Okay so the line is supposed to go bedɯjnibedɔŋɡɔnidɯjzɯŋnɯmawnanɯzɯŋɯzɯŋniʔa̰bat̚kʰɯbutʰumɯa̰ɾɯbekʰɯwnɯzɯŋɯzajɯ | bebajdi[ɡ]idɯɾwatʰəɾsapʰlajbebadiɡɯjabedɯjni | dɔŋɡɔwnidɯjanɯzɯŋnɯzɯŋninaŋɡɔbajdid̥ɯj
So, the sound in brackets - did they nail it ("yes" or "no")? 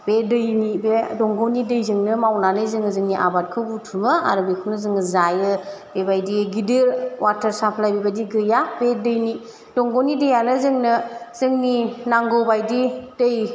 yes